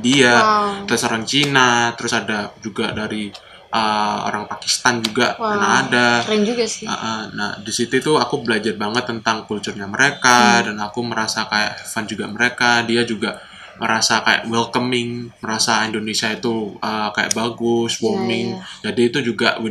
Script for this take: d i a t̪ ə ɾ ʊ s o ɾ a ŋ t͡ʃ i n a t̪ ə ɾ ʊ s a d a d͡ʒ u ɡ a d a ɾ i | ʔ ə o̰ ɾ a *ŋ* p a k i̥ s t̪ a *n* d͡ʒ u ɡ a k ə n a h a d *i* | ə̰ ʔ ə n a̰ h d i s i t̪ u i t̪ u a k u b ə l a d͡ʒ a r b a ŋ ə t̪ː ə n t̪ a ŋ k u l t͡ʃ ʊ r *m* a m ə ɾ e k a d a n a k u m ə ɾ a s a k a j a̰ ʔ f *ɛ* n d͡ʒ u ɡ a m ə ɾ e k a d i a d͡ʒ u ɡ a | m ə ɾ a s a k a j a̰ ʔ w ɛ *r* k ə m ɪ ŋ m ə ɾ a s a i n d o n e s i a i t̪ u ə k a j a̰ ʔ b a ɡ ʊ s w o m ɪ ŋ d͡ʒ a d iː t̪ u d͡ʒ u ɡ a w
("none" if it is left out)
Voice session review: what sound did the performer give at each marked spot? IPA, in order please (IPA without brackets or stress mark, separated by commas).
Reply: ŋ, n, a, ɲ, a, l